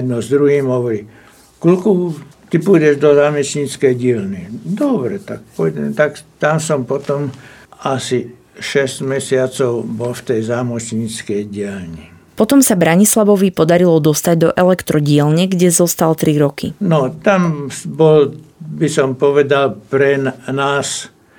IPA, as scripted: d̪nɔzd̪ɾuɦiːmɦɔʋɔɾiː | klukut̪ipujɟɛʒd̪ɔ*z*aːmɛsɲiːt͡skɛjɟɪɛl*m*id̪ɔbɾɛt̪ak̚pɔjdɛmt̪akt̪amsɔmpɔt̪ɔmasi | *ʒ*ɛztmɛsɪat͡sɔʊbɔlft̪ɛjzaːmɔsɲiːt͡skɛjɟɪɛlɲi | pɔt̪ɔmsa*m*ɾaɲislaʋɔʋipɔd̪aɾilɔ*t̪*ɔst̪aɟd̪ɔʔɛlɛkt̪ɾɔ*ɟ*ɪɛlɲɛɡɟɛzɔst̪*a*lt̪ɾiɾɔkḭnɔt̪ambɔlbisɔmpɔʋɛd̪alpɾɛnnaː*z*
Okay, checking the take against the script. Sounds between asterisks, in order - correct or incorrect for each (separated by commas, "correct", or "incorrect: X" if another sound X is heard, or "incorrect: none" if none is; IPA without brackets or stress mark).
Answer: correct, incorrect: n, incorrect: ʃ, incorrect: b, incorrect: d̪, correct, correct, incorrect: s